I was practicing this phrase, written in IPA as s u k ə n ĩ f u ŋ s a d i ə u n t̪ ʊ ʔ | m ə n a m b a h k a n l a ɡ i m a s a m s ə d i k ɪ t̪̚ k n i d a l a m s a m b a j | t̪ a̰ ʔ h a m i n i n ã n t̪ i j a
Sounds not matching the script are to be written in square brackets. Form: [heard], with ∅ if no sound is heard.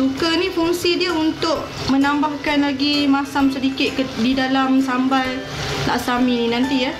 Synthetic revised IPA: s u k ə n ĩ f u ŋ s [i] d i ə u n t̪ ʊ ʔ | m ə n a m b a h k a n l a ɡ i m a s a m s ə d i k ɪ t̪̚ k [d] i d a l a m s a m b a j | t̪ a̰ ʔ [s] a m i n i n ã n t̪ i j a